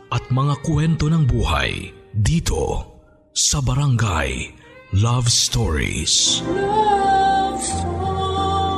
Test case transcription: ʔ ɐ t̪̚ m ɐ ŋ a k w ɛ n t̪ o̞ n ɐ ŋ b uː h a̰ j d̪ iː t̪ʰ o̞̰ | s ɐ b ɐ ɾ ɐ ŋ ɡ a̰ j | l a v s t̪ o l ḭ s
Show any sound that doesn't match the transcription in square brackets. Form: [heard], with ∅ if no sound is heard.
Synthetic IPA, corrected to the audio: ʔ ɐ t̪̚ m ɐ ŋ a k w ɛ n t̪ o̞ n ɐ ŋ b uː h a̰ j d̪ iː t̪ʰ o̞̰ | s ɐ b ɐ ɾ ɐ ŋ ɡ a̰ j | l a v s t̪ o [ɹ] ḭ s